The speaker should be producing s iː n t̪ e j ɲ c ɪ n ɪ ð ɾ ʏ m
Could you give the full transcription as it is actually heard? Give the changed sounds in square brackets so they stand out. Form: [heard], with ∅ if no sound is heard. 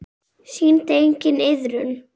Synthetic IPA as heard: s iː n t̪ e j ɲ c ɪ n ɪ ð ɾ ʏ [n]